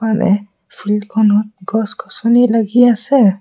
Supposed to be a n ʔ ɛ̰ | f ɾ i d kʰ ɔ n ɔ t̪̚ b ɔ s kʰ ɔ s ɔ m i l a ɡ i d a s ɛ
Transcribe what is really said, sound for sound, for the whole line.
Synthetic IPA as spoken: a n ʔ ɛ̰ | f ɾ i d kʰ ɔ n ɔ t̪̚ ɡ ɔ s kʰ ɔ s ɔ n i l a ɡ i a s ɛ

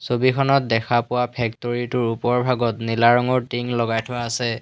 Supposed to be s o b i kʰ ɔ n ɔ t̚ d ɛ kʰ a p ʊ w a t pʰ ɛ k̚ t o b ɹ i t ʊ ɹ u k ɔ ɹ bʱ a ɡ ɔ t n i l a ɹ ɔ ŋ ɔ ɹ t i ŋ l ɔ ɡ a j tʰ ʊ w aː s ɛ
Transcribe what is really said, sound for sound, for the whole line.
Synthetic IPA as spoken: s o b i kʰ ɔ n ɔ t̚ d ɛ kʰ a p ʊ w a pʰ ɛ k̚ t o ɹ i t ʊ ɹ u p ɔ ɹ bʱ a ɡ ɔ t n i l a ɹ ɔ ŋ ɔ ɹ t i ŋ l ɔ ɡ a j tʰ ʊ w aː s ɛ

